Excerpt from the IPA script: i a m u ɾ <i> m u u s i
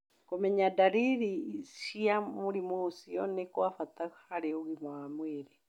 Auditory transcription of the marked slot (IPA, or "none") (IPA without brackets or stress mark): i